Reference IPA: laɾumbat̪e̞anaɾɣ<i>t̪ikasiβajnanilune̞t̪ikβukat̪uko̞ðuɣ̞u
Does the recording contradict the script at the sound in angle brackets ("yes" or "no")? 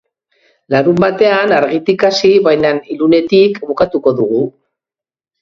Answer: no